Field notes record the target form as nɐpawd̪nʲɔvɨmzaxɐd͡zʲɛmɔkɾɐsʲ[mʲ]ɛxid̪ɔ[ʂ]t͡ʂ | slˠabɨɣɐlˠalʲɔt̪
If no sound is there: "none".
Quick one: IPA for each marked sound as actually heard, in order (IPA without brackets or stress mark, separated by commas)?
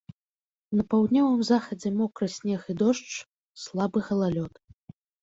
nʲ, ʂ